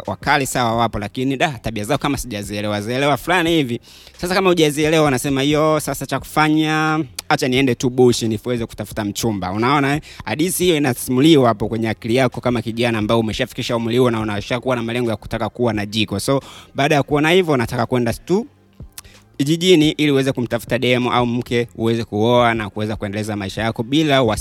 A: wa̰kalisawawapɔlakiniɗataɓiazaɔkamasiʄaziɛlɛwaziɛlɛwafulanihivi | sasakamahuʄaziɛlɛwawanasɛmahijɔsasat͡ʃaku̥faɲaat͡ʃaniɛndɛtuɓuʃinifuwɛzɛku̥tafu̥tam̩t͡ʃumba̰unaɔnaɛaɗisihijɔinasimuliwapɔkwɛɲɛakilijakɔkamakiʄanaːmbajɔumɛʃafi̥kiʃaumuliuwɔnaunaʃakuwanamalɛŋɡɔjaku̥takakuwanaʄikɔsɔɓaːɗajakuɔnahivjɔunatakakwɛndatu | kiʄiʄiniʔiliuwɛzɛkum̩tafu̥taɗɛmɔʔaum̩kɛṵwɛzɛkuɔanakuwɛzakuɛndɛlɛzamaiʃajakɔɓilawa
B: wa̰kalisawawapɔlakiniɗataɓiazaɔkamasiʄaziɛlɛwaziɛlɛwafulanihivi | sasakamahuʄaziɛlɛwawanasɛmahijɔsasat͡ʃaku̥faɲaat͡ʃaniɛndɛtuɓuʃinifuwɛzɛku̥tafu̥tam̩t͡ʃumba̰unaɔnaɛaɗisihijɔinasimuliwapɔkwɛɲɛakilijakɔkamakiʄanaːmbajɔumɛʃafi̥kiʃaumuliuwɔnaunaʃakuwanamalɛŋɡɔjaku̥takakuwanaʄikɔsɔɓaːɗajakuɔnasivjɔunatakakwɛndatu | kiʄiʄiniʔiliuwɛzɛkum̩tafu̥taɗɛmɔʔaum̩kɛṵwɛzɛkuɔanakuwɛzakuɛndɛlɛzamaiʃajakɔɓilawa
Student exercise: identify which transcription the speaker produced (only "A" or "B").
A